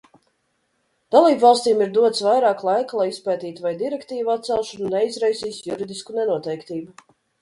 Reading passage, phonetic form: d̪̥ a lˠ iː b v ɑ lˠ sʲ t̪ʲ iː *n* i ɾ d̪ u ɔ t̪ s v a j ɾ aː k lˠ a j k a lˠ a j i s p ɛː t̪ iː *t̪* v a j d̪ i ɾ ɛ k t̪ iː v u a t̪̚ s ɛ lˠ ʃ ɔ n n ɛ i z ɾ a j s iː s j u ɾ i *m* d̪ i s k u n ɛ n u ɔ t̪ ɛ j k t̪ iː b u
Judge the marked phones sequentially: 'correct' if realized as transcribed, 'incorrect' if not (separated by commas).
incorrect, correct, incorrect